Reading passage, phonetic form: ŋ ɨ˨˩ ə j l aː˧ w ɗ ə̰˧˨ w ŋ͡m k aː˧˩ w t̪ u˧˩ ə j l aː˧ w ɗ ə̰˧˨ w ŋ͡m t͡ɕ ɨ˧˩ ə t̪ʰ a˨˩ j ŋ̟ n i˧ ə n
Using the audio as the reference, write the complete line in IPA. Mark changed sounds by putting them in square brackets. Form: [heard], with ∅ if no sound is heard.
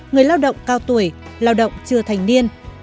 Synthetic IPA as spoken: ŋ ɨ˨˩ ə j l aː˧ w ɗ ə̰˧˨ w ŋ͡m k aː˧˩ w t̪ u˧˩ ə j l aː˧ w ɗ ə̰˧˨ w ŋ͡m t͡ɕ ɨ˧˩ ə t̪ʰ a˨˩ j ŋ̟ n i˧ ə n